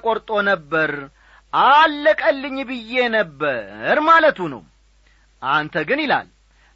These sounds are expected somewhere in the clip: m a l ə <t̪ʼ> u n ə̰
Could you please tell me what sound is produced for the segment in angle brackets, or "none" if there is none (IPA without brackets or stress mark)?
t̪